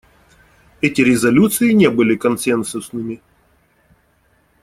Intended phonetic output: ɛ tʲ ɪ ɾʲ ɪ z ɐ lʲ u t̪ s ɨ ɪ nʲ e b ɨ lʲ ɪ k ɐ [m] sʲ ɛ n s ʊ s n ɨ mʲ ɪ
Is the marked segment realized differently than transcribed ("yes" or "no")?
yes